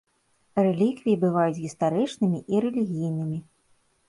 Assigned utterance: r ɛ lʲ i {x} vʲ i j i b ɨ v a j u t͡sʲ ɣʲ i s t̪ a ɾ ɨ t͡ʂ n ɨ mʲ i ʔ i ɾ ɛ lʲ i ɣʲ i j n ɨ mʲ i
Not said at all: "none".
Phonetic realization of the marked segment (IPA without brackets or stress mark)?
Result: k